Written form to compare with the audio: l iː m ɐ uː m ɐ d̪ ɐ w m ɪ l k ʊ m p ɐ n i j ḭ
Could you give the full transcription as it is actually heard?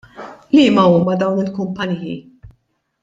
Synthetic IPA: l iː m ɐ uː m ɐ d̪ ɐ w n ɪ l k ʊ m p ɐ n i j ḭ